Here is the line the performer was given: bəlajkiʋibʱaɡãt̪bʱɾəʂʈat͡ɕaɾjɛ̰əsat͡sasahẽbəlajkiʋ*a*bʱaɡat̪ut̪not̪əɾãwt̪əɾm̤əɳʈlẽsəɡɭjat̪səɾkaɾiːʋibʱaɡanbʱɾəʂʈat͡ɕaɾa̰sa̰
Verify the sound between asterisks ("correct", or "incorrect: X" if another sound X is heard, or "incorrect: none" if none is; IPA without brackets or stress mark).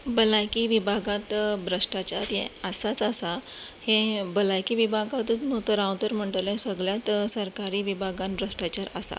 incorrect: i